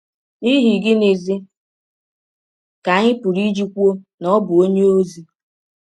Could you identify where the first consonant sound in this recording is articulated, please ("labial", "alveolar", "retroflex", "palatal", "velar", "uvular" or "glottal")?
glottal